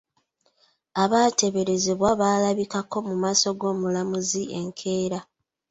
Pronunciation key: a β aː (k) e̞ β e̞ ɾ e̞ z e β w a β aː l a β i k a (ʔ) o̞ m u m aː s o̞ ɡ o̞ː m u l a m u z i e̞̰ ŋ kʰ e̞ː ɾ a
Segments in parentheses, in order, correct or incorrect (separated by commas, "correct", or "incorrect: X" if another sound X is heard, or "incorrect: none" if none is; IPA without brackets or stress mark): incorrect: t, incorrect: k